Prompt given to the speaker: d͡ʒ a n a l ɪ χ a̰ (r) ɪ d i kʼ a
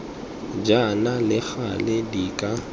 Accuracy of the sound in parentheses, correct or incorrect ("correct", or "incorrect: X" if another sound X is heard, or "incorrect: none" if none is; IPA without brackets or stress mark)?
incorrect: l